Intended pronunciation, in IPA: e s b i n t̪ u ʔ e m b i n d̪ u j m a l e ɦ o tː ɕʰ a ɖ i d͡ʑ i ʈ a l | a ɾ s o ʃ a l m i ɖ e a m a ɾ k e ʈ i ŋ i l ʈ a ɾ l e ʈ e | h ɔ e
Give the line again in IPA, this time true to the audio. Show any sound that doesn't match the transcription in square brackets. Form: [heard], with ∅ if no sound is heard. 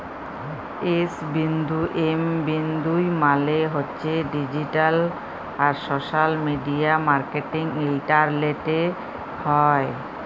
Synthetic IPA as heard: e s b i n [d̪] u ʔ e m b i n d̪ u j m a l e ɦ o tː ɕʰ [e] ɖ i d͡ʑ i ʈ a l | a ɾ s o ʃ a l m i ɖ [i] a m a ɾ k e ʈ i ŋ i l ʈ a ɾ l e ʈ e | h ɔ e